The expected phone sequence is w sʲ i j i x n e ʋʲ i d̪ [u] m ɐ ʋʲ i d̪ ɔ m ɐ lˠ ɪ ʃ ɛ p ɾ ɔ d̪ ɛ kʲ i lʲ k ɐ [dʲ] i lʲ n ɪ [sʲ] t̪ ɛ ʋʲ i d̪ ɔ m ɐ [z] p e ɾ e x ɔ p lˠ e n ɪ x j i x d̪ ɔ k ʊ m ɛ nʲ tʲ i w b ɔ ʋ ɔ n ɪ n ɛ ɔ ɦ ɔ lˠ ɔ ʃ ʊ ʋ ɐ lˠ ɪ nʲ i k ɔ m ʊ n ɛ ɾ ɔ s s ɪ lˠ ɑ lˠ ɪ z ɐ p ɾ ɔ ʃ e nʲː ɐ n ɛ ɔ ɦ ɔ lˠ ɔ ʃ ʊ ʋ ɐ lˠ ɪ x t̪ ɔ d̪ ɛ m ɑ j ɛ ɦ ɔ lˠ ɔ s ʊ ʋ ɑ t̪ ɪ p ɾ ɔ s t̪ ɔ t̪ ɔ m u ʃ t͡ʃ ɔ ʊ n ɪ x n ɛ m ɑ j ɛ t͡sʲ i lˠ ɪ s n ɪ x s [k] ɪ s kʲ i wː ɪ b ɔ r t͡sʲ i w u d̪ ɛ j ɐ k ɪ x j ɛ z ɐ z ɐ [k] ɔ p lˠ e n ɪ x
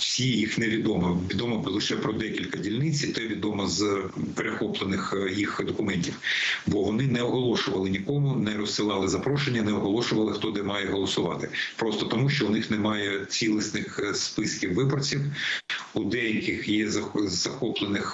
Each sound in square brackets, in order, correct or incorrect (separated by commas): incorrect, correct, incorrect, correct, incorrect, incorrect